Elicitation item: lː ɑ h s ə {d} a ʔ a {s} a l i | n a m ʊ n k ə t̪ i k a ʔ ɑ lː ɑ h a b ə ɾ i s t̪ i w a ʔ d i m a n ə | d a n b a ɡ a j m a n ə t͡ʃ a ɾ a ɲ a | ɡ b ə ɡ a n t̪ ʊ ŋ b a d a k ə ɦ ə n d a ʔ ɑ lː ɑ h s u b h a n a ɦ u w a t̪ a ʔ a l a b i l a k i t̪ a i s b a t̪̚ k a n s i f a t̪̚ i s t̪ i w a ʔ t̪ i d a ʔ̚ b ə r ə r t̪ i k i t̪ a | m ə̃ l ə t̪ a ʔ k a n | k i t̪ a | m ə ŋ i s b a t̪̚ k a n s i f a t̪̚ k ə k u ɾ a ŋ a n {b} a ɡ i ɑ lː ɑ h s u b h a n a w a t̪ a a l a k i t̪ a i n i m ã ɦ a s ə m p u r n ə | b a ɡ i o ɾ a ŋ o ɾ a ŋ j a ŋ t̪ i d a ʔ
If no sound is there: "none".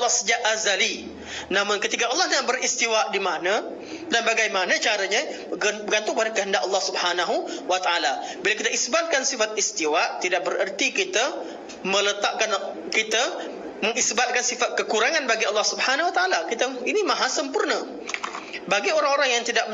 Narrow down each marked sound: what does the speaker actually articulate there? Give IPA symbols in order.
d͡ʒ, z, b

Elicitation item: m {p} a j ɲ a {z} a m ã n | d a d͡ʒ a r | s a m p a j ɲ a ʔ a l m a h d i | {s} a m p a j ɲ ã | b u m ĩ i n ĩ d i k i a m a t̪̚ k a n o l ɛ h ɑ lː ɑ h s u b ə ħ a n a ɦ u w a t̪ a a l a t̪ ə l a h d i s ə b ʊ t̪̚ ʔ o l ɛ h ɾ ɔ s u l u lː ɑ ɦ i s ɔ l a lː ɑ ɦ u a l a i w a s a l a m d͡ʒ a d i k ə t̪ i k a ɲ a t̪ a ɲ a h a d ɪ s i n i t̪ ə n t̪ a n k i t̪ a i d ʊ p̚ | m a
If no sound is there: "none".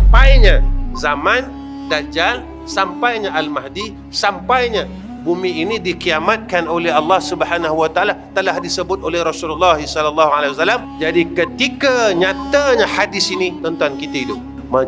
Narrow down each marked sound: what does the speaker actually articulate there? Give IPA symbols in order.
p, z, s

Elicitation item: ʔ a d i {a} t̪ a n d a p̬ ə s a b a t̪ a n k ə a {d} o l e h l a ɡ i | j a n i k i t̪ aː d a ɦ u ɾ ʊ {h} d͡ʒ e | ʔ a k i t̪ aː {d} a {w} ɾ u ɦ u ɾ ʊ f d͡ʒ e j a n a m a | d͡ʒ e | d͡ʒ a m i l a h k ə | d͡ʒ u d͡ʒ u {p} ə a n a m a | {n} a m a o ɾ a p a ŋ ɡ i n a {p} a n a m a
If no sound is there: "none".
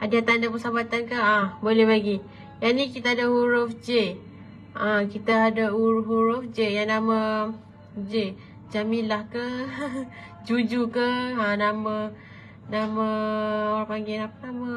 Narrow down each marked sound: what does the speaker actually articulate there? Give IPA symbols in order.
a, b, f, d, u, k, n, p

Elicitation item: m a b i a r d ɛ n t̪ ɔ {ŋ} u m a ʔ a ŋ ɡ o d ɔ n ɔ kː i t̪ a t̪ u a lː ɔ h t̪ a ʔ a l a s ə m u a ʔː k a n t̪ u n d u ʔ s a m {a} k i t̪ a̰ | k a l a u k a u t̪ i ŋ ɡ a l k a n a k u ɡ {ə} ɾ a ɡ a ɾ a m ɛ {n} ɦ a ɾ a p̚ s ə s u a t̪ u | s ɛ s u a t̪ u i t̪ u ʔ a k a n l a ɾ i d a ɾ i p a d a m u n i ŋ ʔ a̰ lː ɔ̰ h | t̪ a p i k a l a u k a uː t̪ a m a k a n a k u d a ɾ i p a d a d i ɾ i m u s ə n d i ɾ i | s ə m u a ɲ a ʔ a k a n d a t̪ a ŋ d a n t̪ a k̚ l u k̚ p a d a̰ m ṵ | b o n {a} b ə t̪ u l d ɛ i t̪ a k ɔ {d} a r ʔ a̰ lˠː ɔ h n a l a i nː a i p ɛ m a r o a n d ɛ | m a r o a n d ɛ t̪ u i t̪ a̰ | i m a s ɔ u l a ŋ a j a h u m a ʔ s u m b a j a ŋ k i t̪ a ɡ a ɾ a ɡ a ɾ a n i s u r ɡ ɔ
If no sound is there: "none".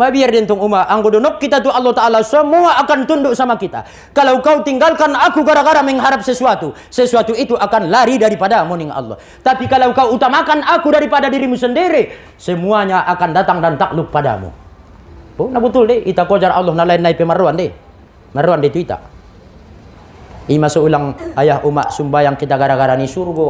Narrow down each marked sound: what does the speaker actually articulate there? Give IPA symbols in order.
ŋ, a, a, ŋ, a, d͡ʒ

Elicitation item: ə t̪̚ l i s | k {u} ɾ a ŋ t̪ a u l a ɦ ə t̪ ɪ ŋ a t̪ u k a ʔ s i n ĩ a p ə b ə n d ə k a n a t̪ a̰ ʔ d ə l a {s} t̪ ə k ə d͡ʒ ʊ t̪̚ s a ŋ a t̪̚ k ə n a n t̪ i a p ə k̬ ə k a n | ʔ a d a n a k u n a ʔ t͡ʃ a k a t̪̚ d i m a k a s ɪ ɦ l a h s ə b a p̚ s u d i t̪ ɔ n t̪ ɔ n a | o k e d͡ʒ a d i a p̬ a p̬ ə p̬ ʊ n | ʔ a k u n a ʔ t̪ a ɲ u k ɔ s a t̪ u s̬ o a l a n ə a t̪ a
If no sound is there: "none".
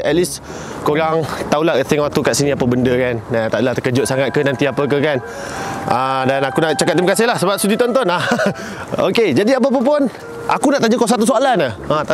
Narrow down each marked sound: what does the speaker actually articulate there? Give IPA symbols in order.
o, h

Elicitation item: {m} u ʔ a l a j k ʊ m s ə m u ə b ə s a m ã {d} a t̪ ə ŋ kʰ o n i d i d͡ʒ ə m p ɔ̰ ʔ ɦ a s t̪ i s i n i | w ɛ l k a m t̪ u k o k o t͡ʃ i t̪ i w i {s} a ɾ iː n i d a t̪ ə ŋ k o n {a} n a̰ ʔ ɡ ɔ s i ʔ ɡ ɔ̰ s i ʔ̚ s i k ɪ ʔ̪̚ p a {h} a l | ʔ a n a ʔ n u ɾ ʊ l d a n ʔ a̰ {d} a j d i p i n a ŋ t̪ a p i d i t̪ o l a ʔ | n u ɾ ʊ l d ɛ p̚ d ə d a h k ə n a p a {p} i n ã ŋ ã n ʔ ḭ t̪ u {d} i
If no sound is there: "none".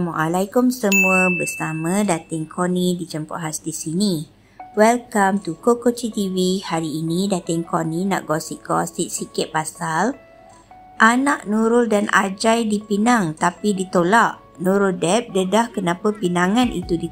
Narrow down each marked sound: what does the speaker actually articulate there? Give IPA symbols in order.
m, d, h, i, s, d͡ʒ, p, d

